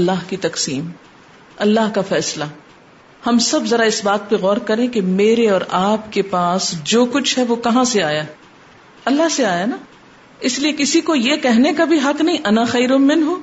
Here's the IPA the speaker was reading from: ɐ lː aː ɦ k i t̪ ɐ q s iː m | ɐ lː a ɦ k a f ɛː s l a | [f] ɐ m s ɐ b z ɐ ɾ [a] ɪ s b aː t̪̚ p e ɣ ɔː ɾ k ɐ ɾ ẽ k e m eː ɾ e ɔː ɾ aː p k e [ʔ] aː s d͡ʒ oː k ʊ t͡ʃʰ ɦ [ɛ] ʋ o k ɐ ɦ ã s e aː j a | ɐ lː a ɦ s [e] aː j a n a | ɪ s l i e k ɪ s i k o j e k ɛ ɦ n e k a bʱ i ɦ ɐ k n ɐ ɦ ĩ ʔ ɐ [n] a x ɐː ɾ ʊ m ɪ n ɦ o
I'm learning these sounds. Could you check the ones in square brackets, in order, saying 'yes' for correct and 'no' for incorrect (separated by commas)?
no, yes, no, yes, yes, yes